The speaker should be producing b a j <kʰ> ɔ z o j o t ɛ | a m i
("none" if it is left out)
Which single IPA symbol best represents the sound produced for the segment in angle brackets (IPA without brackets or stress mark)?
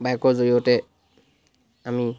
k